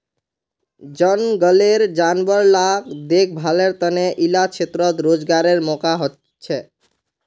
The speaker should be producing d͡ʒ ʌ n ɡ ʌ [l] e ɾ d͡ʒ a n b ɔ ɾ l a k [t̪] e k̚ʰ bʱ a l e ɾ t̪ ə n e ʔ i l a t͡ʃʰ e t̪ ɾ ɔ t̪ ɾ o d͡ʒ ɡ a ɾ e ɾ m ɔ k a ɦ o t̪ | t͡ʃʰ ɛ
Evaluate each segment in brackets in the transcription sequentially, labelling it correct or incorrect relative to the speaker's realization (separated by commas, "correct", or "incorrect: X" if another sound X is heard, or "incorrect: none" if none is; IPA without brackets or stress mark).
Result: correct, incorrect: d̪